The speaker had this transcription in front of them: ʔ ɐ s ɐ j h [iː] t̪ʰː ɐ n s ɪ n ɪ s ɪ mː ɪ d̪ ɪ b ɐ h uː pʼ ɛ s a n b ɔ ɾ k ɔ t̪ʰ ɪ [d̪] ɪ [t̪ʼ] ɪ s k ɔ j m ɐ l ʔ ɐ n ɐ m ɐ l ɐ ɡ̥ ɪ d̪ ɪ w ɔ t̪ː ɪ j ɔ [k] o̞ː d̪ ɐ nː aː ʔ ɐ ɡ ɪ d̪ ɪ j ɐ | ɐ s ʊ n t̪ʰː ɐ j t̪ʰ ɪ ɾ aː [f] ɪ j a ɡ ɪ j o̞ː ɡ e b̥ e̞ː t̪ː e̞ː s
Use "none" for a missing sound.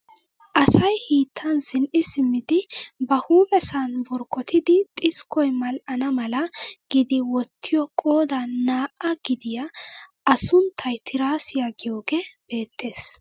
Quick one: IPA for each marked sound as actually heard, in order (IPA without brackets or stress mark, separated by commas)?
iː, d̪, t̪ʼ, kʼ, s